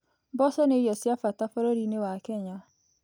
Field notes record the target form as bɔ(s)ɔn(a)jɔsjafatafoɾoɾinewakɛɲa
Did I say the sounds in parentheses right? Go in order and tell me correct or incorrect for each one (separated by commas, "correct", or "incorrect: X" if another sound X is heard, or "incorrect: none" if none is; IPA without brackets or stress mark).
correct, incorrect: e